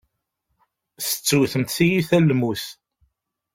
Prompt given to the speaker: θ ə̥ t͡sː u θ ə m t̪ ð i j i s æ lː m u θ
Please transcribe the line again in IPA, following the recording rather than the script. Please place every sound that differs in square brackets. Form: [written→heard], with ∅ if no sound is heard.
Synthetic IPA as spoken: θ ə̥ t͡sː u θ ə m t̪ [ð→θ] i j i [s→θ] æ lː m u θ